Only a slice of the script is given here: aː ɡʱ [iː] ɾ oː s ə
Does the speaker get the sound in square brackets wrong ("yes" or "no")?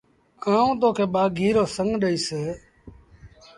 no